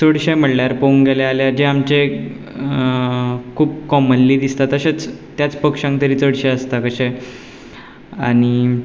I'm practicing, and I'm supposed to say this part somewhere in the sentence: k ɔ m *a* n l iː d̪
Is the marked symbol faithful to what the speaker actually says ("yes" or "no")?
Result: no